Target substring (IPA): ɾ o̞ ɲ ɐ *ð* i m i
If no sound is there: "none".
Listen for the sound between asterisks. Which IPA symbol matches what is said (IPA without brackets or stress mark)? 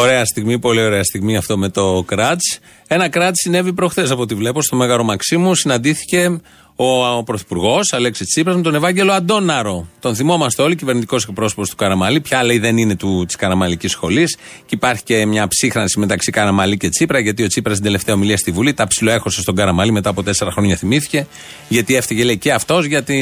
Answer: θ